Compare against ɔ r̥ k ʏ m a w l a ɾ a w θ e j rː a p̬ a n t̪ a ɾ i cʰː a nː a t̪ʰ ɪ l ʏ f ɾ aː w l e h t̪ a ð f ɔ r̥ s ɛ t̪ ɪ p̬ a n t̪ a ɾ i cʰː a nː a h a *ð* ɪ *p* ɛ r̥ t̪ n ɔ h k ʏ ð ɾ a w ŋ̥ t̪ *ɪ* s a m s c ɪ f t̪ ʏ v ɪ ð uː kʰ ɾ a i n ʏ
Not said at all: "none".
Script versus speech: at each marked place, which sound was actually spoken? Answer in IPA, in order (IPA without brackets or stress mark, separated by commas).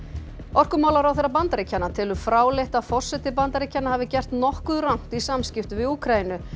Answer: v, c, i